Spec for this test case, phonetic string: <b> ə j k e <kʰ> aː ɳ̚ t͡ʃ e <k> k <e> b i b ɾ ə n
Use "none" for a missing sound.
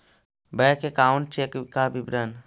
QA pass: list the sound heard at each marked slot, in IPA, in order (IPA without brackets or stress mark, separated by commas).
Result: b, k, k, a